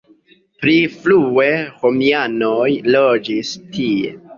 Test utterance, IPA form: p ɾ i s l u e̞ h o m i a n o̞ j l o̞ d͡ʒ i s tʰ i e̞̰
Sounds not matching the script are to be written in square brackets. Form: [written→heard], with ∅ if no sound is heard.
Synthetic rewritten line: p ɾ i [s→f] l u e̞ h o m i a n o̞ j l o̞ d͡ʒ i s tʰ i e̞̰